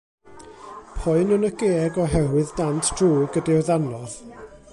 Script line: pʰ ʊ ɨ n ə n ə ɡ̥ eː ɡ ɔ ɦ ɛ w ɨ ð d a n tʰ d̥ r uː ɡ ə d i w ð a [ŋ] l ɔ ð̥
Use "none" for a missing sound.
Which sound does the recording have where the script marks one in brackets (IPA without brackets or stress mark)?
n